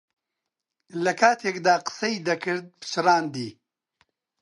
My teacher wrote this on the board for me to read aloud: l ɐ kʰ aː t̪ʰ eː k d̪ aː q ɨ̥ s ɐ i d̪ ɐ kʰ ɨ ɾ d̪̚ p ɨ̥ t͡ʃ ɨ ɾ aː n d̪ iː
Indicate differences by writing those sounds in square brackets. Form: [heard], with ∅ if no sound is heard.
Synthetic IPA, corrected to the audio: l ɐ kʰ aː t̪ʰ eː k d̪ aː q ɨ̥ s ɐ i d̪ ɐ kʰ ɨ ɾ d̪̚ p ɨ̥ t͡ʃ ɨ ɾ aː n d̪ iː